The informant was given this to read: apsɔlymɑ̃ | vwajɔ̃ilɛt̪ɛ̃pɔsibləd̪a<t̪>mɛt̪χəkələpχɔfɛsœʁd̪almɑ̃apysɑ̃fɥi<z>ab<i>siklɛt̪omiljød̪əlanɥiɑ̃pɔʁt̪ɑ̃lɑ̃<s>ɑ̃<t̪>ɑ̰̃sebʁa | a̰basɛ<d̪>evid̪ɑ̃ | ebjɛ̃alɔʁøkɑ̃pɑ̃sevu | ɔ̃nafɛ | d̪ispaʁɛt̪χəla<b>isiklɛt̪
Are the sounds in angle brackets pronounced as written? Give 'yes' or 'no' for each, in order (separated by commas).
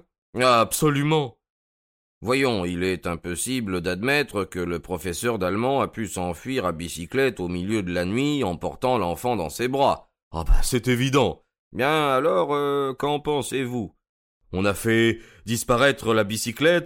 no, no, yes, no, no, no, yes